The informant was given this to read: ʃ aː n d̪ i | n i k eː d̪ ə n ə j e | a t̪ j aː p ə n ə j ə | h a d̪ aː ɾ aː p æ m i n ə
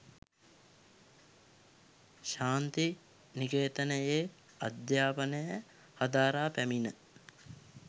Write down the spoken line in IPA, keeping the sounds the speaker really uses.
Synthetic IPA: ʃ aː n t̪ i | n i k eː t̪ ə n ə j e | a d̪ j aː p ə n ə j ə | h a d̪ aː ɾ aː p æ m i n ə